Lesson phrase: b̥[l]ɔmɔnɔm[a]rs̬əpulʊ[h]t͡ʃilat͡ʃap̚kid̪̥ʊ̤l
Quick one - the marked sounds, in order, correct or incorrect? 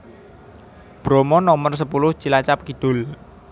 incorrect: ɾ, incorrect: ə, correct

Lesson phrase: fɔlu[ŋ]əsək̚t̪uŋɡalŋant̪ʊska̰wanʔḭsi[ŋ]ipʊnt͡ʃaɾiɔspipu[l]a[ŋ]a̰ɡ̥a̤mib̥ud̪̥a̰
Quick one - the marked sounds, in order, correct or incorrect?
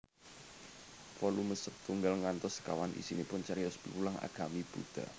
incorrect: m, incorrect: n, correct, correct

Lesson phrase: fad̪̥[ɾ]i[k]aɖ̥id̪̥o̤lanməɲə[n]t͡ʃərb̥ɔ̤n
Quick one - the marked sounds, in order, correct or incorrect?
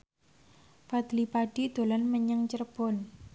incorrect: l, incorrect: p, incorrect: ŋ

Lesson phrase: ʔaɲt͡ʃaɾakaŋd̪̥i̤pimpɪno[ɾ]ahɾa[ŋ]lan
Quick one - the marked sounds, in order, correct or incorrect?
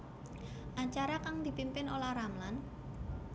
incorrect: l, incorrect: m

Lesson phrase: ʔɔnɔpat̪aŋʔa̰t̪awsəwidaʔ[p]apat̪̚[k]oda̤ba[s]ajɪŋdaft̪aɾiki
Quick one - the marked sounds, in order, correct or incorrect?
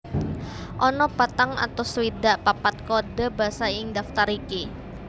correct, correct, correct

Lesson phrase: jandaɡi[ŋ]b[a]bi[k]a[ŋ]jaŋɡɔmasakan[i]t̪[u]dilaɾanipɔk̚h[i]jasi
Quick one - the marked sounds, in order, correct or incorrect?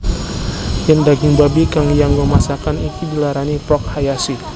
correct, correct, correct, correct, correct, correct, incorrect: a

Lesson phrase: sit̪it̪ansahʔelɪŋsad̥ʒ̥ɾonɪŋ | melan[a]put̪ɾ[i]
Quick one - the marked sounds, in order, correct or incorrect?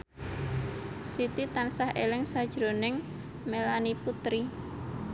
incorrect: i, correct

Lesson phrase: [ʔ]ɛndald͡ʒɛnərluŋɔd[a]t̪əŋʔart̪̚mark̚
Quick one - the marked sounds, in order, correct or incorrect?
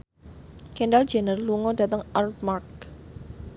incorrect: k, correct

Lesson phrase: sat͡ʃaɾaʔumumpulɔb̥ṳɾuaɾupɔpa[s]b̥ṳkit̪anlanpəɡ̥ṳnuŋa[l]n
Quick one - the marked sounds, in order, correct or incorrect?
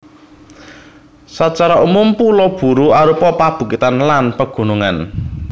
incorrect: none, incorrect: none

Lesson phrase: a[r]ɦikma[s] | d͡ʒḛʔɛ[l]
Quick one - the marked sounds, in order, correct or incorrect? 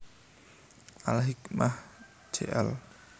incorrect: l, incorrect: h, correct

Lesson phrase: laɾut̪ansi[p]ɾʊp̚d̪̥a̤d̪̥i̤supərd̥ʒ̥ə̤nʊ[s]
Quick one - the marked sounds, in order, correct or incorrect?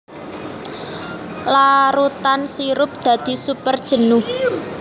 incorrect: none, incorrect: h

